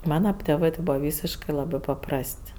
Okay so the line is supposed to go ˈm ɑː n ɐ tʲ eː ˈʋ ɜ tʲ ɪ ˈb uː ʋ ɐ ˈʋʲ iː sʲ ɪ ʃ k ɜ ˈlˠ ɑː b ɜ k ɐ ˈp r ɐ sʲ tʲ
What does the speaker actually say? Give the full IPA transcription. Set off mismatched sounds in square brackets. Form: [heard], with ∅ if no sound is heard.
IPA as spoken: ˈm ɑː n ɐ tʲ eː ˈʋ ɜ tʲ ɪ ˈb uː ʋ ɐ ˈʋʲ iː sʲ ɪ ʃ k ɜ ˈlˠ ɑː b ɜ [p] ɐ ˈp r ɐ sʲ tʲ